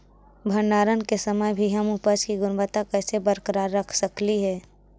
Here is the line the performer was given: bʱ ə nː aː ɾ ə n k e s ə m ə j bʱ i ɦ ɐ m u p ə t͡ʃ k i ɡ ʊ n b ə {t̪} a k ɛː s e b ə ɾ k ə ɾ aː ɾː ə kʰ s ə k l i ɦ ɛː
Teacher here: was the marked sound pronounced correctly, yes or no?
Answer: yes